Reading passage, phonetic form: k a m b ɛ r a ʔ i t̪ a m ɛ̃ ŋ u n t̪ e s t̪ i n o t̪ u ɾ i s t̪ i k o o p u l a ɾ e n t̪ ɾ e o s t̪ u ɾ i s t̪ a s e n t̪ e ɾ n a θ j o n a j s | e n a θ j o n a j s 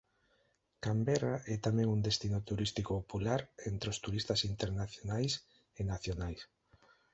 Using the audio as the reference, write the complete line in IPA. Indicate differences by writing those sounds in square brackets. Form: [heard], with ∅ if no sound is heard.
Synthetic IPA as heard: k a m b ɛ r a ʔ [ɛ] t̪ a m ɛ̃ ŋ u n [d̪] e s t̪ i n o t̪ u ɾ i s t̪ i k o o p u l a ɾ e n t̪ ɾ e o s t̪ u ɾ i s t̪ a s [i] n t̪ e ɾ n a θ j o n a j s | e n a θ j o n a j s